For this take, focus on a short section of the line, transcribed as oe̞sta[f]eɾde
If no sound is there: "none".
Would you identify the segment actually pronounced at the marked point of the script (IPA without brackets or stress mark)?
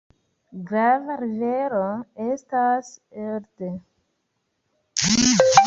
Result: s